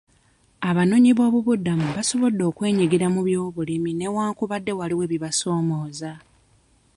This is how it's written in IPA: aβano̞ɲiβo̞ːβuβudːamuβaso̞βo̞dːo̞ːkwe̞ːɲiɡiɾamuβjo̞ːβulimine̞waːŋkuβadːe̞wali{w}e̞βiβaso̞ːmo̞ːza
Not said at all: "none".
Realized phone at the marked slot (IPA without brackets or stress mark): w